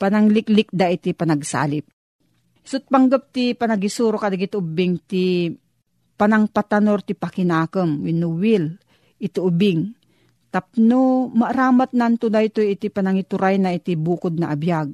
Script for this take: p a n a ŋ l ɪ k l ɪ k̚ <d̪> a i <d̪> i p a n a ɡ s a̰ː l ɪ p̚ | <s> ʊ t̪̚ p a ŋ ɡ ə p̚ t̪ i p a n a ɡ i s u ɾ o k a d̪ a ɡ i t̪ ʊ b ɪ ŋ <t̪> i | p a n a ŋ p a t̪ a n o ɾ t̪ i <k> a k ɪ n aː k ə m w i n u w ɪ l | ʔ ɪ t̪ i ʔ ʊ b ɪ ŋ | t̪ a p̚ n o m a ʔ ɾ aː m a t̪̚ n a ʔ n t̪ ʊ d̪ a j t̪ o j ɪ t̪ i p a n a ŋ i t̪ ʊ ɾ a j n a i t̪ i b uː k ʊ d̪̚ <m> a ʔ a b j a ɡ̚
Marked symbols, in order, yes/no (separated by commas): yes, no, yes, yes, no, no